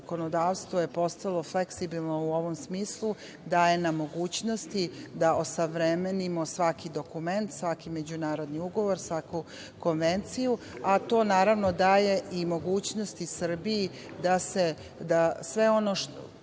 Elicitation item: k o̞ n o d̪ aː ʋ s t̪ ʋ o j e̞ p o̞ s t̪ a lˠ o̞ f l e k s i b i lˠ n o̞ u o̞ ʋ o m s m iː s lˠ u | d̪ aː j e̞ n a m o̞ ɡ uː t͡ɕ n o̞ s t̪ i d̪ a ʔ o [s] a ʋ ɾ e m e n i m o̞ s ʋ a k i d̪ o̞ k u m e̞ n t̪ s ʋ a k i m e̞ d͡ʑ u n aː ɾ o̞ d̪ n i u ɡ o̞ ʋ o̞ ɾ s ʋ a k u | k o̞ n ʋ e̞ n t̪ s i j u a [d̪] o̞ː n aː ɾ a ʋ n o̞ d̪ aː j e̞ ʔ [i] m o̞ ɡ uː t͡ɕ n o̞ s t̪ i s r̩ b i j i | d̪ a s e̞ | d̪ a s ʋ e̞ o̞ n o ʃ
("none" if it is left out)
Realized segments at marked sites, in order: s, t̪, i

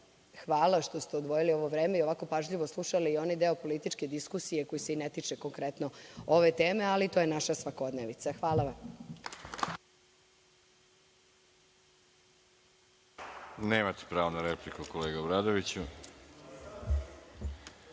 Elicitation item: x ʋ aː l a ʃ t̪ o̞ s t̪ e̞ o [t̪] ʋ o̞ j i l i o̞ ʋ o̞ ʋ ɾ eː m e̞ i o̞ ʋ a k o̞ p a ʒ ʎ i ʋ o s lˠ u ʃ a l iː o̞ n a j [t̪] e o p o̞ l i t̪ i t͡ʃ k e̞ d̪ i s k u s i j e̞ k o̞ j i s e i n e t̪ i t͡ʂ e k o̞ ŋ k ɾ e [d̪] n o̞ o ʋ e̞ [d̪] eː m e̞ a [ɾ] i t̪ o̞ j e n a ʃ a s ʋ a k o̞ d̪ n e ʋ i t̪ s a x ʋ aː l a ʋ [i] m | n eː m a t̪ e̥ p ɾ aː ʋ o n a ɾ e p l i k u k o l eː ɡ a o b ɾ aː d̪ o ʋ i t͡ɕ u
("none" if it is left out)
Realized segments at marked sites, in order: d̪, d̪, t̪, t̪, l, a

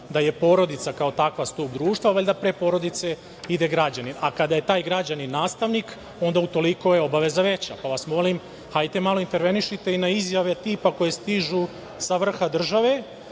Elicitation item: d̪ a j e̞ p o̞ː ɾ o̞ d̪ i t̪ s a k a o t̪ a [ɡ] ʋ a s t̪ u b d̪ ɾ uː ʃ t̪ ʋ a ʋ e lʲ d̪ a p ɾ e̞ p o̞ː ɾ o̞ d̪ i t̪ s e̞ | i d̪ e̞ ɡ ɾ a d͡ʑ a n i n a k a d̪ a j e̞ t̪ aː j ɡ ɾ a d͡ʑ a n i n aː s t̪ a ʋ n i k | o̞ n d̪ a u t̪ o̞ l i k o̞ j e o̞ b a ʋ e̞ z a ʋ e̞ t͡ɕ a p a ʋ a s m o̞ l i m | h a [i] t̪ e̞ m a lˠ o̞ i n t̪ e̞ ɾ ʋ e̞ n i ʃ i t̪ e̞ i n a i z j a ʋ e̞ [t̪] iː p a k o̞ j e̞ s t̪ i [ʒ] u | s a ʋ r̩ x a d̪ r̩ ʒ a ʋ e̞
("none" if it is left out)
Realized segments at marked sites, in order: k, j, t̪, ʒ

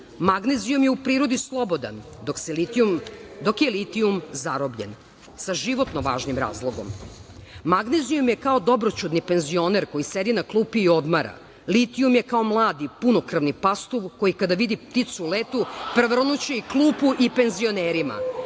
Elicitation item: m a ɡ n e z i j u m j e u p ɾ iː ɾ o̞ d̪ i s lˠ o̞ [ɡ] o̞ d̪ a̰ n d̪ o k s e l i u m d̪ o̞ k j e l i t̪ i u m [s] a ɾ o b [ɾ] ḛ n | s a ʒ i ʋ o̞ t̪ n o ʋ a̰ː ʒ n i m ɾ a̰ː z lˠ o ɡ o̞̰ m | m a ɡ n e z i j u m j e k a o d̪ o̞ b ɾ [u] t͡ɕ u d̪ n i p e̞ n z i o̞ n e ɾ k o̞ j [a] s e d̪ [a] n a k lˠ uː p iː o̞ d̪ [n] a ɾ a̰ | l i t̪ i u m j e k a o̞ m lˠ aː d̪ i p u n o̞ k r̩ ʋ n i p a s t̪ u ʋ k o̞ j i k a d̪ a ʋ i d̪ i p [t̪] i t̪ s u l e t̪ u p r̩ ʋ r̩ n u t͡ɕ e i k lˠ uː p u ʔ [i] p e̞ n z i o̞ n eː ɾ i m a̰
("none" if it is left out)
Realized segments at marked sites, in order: b, z, ʎ, o, i, i, m, t̪, i

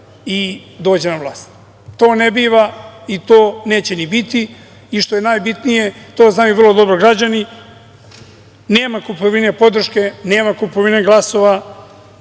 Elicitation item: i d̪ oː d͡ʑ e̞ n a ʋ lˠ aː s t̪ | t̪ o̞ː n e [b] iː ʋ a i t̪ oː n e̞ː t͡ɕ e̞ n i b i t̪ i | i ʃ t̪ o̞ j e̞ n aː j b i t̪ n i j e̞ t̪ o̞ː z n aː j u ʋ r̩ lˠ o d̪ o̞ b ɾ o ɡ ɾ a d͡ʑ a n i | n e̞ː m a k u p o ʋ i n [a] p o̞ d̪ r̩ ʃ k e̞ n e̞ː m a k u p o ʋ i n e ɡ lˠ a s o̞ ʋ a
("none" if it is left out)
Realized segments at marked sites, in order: b, e

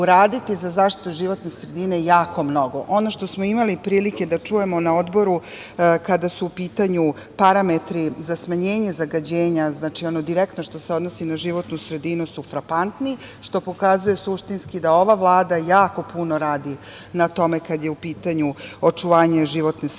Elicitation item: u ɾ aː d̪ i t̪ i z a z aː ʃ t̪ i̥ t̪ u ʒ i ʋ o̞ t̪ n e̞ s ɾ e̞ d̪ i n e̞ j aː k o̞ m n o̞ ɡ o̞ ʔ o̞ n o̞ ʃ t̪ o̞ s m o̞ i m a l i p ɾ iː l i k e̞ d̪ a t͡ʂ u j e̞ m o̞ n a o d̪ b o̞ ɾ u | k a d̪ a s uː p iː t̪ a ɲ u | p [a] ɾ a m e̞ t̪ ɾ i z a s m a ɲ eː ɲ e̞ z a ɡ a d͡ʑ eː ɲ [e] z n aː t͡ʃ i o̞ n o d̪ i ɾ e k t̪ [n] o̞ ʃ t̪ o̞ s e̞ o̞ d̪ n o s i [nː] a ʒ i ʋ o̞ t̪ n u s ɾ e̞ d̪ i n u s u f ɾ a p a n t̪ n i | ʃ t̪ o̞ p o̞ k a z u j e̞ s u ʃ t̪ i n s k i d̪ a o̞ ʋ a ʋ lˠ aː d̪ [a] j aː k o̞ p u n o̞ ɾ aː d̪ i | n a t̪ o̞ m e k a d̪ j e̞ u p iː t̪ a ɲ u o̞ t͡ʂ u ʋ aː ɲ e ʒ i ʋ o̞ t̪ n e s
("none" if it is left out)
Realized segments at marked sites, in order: a, a, n, n, a

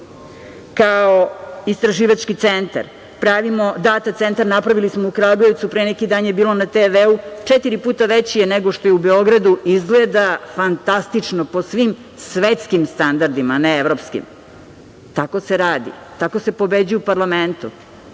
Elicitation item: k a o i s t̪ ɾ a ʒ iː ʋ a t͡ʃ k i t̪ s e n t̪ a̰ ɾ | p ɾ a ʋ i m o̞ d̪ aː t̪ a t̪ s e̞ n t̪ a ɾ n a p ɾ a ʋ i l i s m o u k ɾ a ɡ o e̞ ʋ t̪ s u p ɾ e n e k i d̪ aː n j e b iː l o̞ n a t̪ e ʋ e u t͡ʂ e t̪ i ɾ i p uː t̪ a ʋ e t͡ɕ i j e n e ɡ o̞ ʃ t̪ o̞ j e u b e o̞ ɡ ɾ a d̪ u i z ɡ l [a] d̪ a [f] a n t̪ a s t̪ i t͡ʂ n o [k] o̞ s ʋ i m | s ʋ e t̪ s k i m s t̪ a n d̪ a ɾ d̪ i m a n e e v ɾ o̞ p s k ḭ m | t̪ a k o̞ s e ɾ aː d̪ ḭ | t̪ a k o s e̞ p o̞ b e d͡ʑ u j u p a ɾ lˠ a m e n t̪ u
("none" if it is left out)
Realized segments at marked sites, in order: e, f, p

